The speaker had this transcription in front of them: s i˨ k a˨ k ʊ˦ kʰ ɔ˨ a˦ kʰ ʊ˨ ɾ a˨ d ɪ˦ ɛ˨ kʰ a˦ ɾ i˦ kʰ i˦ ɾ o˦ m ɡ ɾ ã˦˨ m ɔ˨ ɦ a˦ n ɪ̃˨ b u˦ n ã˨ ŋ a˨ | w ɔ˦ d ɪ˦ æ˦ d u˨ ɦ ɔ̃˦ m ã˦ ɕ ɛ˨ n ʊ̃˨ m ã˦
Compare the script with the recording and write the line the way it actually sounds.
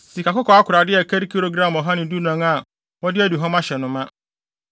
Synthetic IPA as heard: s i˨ k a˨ k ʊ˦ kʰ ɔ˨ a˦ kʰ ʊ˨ ɾ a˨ d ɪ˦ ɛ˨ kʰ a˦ ɾ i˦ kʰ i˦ ɾ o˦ ɡ ɾ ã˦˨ m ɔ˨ ɦ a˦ n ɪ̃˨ d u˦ n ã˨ ŋ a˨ | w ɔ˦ d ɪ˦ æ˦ d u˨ ɦ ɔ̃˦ m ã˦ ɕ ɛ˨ n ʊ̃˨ m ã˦